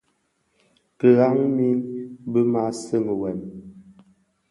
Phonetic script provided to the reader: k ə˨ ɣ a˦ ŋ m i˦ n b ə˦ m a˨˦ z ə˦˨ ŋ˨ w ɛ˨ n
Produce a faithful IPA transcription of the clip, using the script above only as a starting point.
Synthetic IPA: k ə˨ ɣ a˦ ŋ m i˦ n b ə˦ m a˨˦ s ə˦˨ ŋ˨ w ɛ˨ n